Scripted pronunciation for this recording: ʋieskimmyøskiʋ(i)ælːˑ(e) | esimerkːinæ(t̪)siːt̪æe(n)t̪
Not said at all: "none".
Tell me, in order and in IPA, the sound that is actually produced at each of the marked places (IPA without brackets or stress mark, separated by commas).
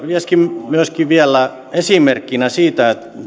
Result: i, æ, none, none